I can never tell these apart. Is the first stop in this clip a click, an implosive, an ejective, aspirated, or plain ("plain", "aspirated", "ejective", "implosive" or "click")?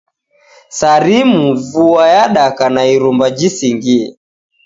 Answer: implosive